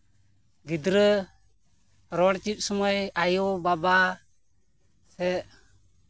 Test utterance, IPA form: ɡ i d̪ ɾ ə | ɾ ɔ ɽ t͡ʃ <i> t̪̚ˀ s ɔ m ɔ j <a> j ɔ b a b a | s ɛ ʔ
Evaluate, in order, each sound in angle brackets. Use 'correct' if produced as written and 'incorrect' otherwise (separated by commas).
correct, correct